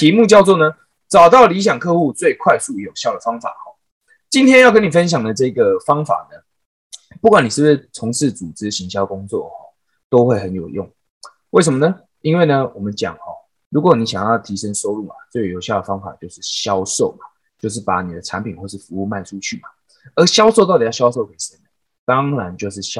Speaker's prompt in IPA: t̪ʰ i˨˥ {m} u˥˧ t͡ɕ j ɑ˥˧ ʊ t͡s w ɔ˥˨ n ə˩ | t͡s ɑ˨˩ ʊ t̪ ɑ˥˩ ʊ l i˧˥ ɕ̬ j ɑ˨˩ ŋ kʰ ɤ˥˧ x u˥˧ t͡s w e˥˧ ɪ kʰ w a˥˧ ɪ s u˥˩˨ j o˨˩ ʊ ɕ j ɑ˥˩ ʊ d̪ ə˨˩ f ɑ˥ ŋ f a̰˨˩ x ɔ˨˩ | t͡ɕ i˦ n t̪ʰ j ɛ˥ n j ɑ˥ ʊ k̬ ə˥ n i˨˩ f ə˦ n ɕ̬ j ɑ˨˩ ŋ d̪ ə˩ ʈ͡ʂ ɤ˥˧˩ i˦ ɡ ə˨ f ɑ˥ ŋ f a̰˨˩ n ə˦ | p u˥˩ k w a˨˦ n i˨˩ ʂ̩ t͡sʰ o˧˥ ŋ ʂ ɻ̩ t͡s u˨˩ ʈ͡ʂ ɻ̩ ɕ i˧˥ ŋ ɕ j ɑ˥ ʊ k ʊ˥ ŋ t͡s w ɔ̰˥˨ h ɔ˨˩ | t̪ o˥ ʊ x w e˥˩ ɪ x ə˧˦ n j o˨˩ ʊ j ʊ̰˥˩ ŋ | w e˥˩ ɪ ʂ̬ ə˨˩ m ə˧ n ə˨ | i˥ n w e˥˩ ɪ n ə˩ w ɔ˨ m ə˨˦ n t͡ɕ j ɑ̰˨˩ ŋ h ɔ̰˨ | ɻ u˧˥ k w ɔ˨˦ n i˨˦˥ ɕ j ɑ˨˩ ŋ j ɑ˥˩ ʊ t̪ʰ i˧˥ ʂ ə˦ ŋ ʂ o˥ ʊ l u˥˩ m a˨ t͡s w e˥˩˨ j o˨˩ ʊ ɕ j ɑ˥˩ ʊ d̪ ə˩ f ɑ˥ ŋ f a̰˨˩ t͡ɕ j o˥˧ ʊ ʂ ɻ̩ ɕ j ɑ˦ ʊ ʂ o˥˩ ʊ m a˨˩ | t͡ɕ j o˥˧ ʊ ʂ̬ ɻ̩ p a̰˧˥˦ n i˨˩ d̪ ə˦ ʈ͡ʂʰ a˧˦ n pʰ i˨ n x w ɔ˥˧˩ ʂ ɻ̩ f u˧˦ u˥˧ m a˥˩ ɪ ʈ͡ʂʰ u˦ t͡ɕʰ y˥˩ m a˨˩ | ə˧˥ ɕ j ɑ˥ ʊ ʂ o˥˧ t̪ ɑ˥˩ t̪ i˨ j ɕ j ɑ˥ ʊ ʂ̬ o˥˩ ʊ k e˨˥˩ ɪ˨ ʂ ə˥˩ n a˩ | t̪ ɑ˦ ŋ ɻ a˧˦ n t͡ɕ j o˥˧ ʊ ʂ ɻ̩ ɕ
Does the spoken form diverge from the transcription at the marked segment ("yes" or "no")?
no